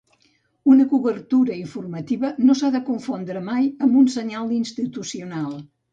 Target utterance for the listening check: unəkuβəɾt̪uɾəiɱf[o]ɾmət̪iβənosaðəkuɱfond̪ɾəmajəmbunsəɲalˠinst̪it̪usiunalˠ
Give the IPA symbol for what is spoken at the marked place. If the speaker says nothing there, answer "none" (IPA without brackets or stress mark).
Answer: u